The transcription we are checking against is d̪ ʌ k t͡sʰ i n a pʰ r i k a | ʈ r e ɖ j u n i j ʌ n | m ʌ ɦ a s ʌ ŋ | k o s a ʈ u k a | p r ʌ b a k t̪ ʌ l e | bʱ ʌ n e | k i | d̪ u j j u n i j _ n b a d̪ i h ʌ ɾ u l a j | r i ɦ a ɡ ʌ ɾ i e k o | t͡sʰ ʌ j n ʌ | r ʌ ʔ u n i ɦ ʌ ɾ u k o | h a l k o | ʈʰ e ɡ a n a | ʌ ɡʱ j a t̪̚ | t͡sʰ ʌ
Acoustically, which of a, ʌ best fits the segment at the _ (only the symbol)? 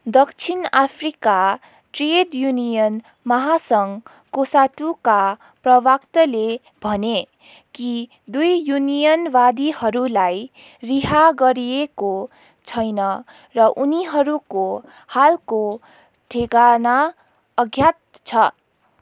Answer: ʌ